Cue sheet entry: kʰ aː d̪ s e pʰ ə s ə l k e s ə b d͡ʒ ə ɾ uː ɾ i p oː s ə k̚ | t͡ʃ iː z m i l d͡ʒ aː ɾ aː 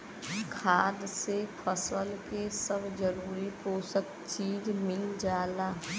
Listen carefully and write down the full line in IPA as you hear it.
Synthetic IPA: kʰ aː d̪ s e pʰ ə s ə l k e s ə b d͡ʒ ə ɾ uː ɾ i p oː s ə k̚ | t͡ʃ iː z m ɪ l d͡ʒ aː l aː